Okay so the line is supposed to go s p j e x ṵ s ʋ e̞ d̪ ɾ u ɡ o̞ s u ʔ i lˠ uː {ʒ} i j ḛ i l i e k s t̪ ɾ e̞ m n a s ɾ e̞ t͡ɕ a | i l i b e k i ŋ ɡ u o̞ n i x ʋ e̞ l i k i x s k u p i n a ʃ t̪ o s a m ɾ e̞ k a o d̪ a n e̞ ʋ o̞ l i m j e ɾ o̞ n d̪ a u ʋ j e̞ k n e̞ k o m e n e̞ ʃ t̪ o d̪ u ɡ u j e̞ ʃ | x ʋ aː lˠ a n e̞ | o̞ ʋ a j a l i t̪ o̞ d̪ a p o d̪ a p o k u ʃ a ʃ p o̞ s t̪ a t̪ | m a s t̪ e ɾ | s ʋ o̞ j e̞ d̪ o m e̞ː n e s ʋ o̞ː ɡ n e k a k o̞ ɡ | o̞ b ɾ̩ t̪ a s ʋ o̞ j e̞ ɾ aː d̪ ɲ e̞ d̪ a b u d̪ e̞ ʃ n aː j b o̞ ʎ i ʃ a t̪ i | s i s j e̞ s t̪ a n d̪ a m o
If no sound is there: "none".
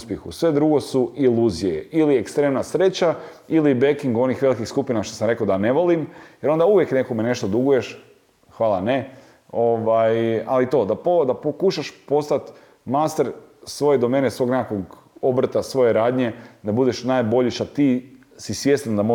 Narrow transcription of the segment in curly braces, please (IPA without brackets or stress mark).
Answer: z